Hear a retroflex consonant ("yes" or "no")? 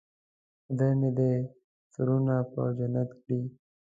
yes